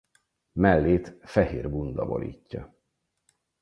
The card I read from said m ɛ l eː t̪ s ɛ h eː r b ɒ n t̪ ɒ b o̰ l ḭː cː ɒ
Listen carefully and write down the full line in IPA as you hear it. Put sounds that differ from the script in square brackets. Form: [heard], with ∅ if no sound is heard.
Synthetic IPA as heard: m ɛ [lː] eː t̪ [f] ɛ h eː r b [u] n [d̪] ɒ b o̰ l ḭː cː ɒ